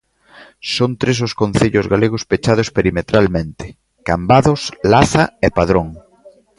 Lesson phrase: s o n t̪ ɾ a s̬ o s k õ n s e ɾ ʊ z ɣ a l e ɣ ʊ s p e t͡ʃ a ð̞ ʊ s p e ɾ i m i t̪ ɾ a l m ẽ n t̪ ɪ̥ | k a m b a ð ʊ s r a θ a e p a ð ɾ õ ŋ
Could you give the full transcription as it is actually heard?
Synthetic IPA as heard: s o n t̪ ɾ e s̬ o s k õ n θ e ʎ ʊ z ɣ a l e ɣ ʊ s p e t͡ʃ a ð̞ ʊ s p e ɾ i m e t̪ ɾ a l m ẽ n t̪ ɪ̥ | k a m b a ð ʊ s l a θ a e p a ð ɾ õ ŋ